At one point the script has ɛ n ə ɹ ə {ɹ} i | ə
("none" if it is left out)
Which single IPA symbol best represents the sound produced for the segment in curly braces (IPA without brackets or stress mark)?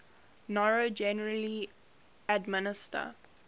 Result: l